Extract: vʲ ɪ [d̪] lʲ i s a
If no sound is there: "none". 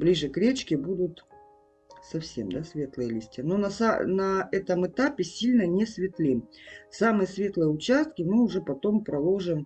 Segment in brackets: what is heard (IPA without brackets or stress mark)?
t̪